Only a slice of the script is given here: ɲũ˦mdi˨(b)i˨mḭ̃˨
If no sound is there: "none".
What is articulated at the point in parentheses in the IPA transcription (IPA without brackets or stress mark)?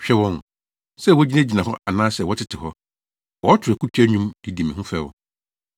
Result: d